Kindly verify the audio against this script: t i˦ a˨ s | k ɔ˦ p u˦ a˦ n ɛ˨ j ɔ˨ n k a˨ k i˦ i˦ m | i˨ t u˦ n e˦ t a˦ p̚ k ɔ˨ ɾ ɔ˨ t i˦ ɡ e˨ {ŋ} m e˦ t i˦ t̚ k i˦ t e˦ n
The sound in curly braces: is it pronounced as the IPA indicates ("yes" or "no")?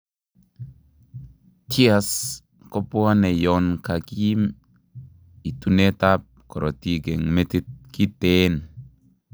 yes